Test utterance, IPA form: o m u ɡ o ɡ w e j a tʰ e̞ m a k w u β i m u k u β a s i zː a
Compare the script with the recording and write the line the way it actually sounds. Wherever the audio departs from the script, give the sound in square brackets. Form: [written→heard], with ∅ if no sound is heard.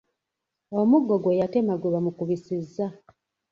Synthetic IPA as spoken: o m u ɡ o ɡ w e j a [tʰ→t] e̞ m a [k→ɡ] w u β [i→a] m u k u β [a→i] s i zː a

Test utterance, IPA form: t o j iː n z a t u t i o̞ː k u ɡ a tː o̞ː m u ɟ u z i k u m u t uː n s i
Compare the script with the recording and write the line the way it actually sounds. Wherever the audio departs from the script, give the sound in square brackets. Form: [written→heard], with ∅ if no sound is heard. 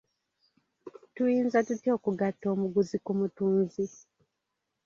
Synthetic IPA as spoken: t [o→u] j iː n z a t u t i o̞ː k u ɡ a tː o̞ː m u [ɟ→ɡ] u z i k u m u t uː n [s→z] i

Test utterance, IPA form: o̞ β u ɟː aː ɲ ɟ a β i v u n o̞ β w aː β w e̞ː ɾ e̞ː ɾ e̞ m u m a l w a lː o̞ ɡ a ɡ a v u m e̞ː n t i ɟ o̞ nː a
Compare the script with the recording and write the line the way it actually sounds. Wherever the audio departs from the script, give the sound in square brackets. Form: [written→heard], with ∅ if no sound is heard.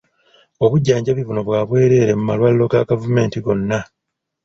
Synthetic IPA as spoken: o̞ β u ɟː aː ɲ ɟ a β i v u n o̞ β w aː β w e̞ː ɾ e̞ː ɾ e̞ m u m a l w a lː o̞ ɡ a ɡ a v u m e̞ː n t i [ɟ→ɡ] o̞ nː a

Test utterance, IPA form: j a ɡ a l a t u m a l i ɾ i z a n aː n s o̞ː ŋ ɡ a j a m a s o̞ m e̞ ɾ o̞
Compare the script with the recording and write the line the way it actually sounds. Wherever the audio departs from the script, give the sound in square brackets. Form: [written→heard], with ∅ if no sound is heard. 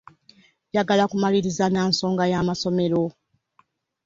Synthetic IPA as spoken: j a ɡ a l a [t→k] u m a l i ɾ i z a n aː n s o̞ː ŋ ɡ a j a m a s o̞ m e̞ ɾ o̞

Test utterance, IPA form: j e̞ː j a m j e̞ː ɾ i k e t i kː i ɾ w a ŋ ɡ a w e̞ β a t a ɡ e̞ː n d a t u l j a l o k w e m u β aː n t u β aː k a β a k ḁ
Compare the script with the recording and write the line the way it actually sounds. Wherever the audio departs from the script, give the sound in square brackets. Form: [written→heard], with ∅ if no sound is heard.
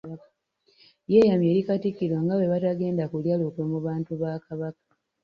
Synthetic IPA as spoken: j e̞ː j a m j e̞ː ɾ i k [e→a] t i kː i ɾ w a ŋ ɡ a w e̞ β a t a ɡ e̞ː n d a [t→k] u l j a l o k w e m u β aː n t u β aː k a β a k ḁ

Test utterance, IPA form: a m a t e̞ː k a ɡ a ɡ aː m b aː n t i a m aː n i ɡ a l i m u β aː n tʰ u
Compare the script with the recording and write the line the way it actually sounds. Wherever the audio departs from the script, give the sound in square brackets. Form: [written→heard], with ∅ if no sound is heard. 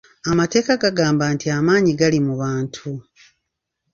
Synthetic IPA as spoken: a m a t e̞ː k a ɡ a ɡ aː m b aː n t i a m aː [n→ɲ] i ɡ a l i m u β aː n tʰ u

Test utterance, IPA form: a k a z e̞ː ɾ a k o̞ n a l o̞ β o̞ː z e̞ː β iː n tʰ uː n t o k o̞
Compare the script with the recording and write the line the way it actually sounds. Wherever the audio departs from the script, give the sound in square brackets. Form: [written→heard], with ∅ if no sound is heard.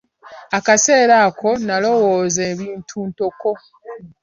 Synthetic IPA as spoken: a k a [z→s] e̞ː ɾ a k o̞ n a l o̞ [β→w] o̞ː z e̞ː β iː n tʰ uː n t o k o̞

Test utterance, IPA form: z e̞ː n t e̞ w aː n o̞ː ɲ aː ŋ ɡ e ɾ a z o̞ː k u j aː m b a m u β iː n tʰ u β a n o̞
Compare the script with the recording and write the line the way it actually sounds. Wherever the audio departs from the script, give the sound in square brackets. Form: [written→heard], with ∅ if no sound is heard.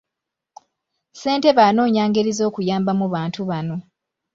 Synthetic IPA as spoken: [z→s] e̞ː n t e̞ [w→β] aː n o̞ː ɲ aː ŋ ɡ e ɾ [a→i] z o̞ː k u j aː m b a m u β [iː→aː] n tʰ u β a n o̞

